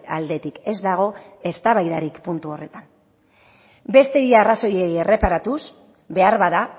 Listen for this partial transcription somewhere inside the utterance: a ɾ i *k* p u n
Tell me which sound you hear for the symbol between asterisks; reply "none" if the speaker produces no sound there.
k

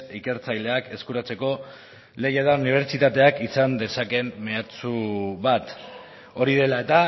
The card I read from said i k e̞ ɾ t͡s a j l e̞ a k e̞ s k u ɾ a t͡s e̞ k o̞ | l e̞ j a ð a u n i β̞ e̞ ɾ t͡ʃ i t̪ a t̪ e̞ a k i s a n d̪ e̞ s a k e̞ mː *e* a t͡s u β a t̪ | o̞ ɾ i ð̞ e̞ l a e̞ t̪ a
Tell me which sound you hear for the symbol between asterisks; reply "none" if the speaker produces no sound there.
e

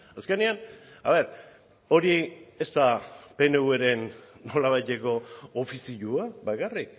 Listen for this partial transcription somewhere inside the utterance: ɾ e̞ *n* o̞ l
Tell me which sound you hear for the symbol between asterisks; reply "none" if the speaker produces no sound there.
nː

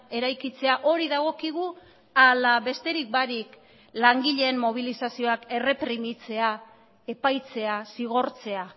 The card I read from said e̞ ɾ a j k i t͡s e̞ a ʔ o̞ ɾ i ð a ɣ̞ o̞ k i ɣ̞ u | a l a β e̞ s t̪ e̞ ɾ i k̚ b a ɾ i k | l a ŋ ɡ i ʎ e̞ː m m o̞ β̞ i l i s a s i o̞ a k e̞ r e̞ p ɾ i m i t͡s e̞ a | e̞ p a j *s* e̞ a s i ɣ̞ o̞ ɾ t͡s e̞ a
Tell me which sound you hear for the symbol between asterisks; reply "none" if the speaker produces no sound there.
t͡s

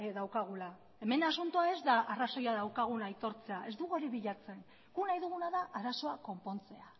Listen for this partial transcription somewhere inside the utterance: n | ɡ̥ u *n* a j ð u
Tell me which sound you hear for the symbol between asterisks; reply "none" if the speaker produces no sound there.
n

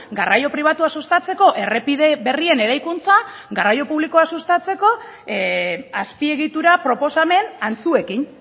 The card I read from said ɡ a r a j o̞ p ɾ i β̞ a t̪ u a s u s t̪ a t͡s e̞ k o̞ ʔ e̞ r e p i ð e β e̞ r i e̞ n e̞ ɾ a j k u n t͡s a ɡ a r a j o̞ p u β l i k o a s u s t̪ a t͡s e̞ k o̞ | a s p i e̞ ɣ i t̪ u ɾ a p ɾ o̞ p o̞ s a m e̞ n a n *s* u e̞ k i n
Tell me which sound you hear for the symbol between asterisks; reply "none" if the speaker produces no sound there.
t͡s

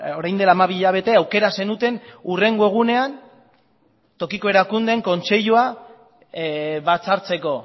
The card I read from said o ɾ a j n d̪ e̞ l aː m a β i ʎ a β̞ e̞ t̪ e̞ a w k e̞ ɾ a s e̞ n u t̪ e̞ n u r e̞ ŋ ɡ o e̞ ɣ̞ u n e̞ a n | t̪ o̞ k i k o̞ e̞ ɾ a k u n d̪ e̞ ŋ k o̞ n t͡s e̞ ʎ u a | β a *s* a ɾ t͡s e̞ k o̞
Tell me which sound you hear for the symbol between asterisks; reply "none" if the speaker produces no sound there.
t͡s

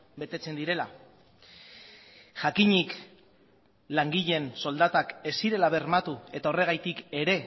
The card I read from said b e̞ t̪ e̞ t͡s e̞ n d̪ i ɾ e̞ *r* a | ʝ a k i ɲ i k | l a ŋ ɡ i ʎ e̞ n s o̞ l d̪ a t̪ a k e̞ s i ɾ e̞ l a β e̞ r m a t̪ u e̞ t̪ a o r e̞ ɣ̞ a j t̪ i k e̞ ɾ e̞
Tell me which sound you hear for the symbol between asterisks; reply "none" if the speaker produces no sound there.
l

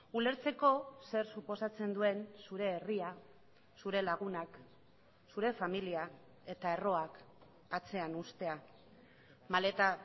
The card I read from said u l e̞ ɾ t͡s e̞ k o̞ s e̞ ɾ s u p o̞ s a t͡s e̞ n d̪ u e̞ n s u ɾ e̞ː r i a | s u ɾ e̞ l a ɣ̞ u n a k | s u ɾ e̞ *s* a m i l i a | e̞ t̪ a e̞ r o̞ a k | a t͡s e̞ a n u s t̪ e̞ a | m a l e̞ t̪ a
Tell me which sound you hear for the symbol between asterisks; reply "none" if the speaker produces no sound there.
f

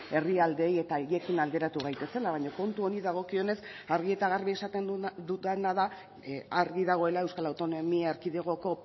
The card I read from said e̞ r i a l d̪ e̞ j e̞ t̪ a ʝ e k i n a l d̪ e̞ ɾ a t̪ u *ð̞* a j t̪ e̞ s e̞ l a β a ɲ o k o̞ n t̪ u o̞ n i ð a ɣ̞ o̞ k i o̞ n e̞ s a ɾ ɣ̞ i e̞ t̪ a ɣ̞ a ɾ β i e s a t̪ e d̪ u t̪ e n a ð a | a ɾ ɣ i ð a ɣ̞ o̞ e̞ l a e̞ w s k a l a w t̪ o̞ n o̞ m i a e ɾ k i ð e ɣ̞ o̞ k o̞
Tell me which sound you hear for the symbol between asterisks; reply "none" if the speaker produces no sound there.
ɣ̞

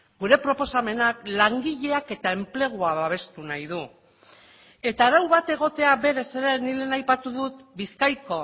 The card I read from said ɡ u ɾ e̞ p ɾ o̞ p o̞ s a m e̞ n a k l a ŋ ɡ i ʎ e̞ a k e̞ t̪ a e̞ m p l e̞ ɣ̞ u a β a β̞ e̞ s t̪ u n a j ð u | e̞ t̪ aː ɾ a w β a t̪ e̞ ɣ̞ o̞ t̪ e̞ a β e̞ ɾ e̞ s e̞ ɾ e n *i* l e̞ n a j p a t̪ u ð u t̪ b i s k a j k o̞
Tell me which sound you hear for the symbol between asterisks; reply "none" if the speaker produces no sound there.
i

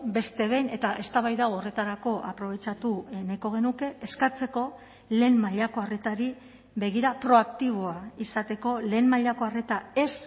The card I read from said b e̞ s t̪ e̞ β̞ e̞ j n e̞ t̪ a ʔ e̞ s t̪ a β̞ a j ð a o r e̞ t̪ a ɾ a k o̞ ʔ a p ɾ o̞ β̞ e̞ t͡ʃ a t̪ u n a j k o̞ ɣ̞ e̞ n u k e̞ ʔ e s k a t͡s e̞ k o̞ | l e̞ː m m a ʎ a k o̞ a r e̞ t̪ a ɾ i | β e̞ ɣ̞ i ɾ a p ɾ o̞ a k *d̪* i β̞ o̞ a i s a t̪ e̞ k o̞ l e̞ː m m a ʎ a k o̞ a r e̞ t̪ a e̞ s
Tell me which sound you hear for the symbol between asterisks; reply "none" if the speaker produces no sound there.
t̪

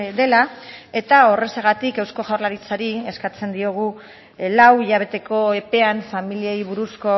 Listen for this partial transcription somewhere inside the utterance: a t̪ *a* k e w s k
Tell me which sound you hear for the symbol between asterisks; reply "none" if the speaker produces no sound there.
i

